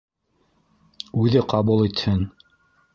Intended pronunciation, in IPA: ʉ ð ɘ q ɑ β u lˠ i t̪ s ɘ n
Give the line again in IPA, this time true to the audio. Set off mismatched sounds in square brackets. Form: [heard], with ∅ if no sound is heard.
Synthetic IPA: ʉ ð ɘ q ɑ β u lˠ i t̪ [h] ɘ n